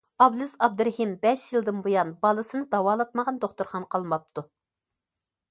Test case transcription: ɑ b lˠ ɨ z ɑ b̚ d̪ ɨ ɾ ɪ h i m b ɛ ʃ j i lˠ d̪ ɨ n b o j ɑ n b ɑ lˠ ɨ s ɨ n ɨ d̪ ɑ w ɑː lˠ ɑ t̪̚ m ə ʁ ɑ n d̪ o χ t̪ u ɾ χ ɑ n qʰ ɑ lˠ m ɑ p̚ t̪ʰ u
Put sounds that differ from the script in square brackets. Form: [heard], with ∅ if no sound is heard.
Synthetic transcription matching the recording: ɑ b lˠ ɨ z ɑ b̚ d̪ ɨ ɾ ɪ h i m b ɛ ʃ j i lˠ d̪ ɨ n b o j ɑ n b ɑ lˠ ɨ s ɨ n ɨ d̪ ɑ w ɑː lˠ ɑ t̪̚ m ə ʁ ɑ n d̪ o χ t̪ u ɾ χ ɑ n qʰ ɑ lˠ m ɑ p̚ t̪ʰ u